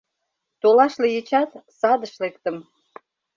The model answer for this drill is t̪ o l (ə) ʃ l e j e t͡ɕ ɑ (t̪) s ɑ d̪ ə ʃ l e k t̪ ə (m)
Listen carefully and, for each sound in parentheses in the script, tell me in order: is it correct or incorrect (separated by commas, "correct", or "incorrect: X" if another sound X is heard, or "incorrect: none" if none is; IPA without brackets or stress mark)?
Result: incorrect: ɑ, correct, correct